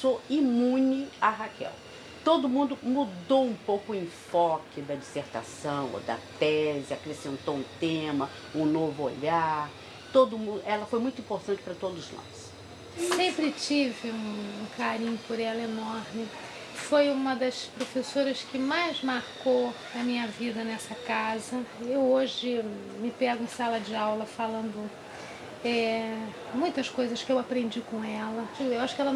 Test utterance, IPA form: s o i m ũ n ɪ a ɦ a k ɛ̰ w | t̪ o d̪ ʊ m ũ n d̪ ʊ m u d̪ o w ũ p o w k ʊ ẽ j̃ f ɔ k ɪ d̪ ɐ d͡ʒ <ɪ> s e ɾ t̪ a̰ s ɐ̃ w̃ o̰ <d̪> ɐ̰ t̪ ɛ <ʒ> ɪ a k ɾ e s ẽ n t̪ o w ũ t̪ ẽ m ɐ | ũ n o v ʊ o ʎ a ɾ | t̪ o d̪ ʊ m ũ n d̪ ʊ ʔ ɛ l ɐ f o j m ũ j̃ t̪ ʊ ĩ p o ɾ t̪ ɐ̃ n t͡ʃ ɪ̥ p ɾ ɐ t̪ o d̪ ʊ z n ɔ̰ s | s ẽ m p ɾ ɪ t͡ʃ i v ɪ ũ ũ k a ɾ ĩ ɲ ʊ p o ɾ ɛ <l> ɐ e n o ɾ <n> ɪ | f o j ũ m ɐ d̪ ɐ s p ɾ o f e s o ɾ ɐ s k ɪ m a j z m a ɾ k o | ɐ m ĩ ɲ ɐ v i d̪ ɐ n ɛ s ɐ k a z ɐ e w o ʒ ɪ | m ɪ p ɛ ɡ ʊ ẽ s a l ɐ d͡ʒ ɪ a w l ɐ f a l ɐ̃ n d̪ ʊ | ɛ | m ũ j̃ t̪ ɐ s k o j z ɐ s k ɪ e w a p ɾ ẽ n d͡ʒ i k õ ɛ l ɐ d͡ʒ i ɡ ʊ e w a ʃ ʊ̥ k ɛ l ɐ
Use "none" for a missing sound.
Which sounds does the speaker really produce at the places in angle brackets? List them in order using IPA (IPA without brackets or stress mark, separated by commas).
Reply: i, d̪, z, l, m